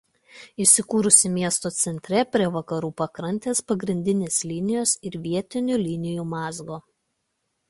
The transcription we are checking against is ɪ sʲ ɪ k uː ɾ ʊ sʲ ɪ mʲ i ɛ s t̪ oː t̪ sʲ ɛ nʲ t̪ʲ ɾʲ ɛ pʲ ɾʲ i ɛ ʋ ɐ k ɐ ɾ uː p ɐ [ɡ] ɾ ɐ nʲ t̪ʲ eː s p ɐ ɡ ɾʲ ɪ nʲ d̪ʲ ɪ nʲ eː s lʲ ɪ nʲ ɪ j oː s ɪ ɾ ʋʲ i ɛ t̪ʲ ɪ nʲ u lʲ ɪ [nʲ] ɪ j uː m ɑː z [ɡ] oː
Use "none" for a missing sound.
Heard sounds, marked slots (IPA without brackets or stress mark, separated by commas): k, nʲ, ɡ